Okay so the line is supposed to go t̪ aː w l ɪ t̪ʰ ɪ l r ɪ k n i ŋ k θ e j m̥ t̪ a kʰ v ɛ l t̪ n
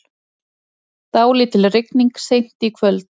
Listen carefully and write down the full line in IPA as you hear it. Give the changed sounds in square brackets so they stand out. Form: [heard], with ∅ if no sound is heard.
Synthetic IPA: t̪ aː w l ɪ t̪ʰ ɪ l r ɪ k n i ŋ k [s] e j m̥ t̪ [i] kʰ v [œ] l t̪ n